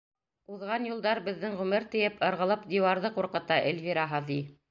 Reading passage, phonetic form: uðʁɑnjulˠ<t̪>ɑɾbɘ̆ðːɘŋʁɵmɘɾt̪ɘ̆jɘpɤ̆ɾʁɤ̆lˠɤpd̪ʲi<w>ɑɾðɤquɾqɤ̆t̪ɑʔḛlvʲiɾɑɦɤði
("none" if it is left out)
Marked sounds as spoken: d̪, w

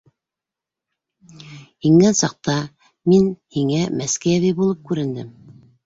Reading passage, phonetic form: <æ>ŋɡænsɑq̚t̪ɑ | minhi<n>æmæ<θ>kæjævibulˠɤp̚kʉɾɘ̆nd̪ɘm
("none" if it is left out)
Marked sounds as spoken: i, ŋ, s

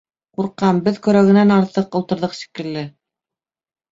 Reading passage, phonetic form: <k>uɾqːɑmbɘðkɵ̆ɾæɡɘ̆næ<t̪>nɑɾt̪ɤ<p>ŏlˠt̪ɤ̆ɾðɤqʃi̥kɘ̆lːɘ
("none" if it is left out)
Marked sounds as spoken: q, none, q

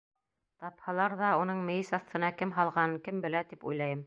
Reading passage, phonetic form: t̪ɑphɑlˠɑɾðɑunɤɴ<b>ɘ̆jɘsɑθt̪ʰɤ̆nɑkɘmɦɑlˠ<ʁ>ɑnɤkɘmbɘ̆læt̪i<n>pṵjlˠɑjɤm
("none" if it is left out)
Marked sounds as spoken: m, ʁ, none

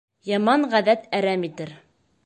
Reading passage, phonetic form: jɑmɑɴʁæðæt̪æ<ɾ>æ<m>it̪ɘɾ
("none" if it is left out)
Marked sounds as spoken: ɾ, m

